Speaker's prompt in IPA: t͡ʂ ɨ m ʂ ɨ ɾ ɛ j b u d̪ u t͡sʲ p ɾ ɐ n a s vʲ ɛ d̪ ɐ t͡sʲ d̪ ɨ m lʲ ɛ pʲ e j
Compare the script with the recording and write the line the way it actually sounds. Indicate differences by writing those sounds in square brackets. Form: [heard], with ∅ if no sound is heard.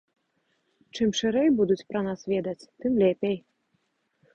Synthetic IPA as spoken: t͡ʂ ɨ m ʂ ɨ ɾ ɛ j b u d̪ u t͡sʲ p ɾ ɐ n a s vʲ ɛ d̪ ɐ t͡sʲ [t̪] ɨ m lʲ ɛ pʲ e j